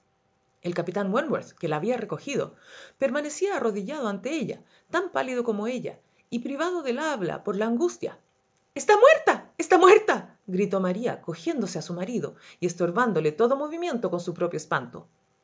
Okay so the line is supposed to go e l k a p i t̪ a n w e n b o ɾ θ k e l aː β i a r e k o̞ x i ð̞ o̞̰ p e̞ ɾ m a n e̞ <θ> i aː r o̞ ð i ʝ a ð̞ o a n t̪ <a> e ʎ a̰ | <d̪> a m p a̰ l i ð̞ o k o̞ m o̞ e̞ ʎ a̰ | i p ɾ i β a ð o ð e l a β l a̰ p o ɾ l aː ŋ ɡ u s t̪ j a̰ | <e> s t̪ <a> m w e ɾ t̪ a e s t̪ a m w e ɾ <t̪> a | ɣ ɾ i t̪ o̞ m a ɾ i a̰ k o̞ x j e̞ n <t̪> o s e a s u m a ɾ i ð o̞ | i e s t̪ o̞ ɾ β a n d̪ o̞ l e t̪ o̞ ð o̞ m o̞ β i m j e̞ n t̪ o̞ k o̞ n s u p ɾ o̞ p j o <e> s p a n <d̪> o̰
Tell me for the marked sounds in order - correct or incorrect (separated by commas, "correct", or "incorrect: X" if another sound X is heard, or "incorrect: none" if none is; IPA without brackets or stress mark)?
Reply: incorrect: s, incorrect: e, incorrect: t̪, correct, correct, correct, incorrect: d̪, correct, incorrect: t̪